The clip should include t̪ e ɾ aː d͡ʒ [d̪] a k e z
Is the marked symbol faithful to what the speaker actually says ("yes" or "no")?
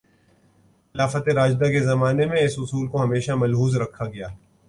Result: yes